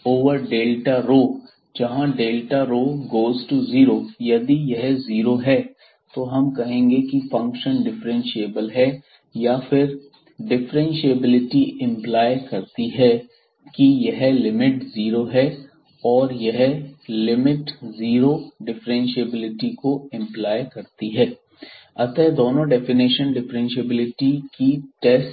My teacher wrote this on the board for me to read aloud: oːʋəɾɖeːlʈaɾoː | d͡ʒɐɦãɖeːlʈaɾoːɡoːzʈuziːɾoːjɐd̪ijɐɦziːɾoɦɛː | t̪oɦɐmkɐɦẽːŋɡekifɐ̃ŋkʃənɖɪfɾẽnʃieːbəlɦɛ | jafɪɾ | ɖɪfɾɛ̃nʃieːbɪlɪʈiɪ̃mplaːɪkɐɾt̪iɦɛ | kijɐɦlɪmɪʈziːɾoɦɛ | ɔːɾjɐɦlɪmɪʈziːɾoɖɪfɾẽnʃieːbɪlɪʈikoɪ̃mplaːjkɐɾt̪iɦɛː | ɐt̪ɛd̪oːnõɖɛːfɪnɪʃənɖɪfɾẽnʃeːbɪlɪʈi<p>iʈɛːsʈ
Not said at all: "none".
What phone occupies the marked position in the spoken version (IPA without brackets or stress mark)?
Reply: k